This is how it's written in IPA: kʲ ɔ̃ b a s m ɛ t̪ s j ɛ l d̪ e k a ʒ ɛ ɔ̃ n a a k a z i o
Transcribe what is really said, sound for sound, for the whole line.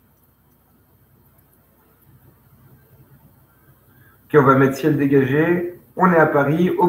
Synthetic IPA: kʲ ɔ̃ v a m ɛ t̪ s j ɛ l d̪ e ɡ a ʒ e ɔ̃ n ɛ a p a ʁ i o